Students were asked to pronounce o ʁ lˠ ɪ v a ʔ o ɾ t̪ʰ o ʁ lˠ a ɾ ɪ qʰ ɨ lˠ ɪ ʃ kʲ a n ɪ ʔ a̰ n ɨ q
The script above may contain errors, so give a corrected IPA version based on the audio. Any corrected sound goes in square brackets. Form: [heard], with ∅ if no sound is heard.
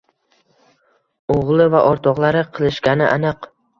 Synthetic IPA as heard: o ʁ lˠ ɪ v a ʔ [ɒ] ɾ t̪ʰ [ɒ] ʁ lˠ a ɾ ɪ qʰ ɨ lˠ ɪ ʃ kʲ a n ɪ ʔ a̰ n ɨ q